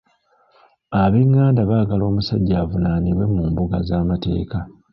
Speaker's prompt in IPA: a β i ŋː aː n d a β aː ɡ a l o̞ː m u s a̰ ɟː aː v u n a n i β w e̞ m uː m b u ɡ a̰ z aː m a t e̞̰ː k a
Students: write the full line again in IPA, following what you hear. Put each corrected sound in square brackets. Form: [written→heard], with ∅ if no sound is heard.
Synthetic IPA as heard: a β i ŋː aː n d a β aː ɡ a l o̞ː m u s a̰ ɟː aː v u n a n i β w e̞ m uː m b u ɡ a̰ z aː m a t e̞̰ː k a